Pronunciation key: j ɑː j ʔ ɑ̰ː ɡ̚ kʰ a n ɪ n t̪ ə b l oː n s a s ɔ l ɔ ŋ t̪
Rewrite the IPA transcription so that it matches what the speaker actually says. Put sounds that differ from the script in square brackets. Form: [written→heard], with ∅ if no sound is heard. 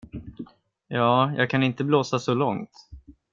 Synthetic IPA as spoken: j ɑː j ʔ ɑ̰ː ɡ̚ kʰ a n ɪ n t̪ ə b l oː [n→∅] s a s ɔ l ɔ ŋ t̪